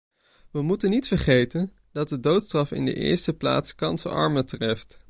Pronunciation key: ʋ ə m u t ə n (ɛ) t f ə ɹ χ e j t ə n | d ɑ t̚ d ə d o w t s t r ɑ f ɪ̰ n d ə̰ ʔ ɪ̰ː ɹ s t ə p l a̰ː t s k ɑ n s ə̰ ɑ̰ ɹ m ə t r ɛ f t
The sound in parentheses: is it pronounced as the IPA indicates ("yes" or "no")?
no